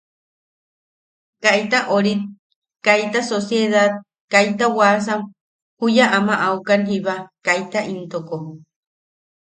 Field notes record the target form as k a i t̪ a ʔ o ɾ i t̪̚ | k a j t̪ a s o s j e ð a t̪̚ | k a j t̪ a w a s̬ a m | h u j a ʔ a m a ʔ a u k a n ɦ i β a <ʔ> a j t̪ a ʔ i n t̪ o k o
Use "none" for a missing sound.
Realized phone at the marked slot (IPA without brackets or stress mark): k